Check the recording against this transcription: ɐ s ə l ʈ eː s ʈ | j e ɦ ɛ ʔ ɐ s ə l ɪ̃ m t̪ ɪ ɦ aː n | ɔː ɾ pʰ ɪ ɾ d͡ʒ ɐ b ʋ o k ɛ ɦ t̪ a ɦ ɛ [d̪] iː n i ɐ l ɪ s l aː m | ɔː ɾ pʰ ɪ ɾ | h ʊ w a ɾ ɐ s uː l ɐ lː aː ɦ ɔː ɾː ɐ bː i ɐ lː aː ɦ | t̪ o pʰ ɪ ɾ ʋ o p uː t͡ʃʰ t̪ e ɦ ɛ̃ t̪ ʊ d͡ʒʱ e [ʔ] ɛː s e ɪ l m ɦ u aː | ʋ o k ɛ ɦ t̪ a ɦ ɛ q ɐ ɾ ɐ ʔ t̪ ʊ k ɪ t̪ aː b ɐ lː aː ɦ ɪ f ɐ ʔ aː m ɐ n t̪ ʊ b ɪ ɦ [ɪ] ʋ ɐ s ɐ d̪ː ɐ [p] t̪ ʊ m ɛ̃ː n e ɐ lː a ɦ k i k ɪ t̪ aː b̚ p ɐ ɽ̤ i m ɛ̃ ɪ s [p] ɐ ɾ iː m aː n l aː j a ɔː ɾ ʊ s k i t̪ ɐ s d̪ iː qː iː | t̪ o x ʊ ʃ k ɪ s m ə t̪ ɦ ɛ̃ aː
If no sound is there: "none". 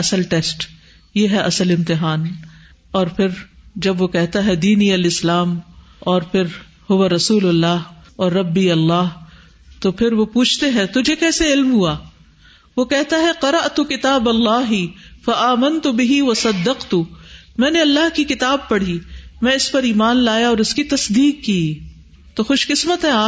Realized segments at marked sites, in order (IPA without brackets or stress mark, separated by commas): d̪, k, i, q, p